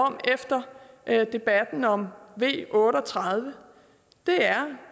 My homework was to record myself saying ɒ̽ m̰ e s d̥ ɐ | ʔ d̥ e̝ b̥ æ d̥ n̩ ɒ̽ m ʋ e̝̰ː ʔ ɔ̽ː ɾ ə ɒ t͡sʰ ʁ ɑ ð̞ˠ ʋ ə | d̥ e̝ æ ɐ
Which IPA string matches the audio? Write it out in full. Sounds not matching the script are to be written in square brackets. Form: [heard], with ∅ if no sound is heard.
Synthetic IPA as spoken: ɒ̽ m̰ e [f] d̥ ɐ | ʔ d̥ e̝ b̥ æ d̥ n̩ ɒ̽ m ʋ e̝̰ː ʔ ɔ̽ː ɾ ə ɒ t͡sʰ ʁ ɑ ð̞ˠ ʋ ə | d̥ e̝ æ ɐ